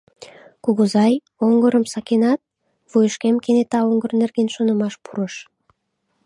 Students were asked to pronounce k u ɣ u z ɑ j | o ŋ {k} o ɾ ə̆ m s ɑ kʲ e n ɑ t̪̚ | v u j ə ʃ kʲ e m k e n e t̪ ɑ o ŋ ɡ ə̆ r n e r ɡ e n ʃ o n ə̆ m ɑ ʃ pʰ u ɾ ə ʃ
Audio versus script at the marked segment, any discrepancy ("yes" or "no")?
yes